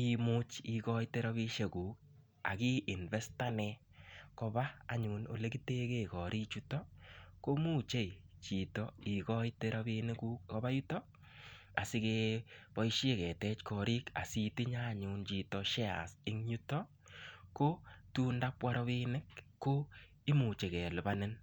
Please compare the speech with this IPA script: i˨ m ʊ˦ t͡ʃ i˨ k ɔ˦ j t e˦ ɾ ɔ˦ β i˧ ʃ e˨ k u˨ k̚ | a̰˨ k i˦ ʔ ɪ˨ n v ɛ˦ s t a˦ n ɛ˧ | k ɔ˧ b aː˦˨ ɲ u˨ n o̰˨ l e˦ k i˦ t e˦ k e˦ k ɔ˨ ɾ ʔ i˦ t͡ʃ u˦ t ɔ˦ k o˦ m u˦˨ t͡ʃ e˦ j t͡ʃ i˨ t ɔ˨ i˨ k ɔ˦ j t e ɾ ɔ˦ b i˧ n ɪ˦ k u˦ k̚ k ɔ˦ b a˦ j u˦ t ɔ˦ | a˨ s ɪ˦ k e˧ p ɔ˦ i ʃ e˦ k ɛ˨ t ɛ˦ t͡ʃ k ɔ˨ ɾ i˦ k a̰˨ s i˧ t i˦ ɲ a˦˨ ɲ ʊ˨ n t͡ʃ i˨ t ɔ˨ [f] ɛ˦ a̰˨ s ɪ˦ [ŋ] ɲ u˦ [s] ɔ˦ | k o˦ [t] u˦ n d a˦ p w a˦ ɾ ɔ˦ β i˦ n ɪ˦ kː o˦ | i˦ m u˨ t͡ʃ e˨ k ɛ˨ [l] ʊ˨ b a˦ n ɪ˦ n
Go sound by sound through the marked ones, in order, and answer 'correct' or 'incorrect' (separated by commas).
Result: incorrect, correct, incorrect, correct, correct